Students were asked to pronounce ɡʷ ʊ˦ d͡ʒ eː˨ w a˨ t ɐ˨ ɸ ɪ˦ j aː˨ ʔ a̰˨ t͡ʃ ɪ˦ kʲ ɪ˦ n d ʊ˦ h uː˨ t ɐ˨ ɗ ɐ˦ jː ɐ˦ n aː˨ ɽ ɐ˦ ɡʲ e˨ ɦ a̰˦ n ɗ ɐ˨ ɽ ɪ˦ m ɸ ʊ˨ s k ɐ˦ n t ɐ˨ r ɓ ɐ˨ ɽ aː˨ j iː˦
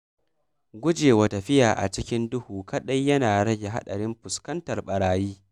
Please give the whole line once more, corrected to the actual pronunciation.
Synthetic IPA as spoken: ɡʷ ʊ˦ d͡ʒ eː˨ w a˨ t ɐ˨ ɸ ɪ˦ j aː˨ ʔ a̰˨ t͡ʃ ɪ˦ kʲ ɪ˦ n d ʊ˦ h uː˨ k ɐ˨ ɗ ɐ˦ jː ɐ˦ n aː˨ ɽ ɐ˦ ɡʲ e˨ ɦ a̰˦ ɗ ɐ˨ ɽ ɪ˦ m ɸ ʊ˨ s k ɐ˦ n t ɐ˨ r ɓ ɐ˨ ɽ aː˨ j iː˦